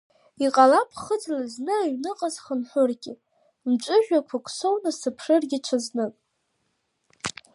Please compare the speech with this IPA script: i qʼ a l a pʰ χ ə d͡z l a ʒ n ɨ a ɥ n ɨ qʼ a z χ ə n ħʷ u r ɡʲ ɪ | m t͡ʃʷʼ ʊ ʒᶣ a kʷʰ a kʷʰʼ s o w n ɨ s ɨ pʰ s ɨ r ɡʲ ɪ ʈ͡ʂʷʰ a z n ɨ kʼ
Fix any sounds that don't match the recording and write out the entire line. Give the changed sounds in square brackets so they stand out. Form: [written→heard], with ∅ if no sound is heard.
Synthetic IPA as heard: i qʼ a l a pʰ χ ə d͡z l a [ʒ→z] n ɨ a ɥ n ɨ qʼ a z χ ə n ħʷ [u→ʊ] r ɡʲ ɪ | m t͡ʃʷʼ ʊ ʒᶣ a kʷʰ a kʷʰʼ s o w n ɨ s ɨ pʰ [s→ʂ] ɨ r ɡʲ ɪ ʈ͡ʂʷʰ a z n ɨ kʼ